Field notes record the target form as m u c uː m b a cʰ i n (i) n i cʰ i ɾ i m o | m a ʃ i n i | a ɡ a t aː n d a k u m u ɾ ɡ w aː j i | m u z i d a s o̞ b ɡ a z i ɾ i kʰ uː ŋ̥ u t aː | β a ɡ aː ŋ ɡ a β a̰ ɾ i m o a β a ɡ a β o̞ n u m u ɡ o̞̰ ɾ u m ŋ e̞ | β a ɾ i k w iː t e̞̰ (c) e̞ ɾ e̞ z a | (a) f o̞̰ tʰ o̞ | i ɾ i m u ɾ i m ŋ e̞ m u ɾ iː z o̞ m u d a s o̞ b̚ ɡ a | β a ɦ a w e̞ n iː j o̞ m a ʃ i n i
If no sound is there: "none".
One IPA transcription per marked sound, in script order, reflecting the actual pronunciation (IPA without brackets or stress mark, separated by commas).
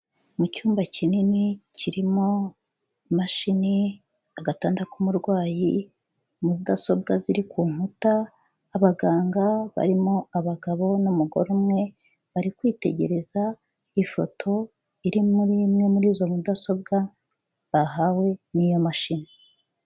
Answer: i, ɟ, i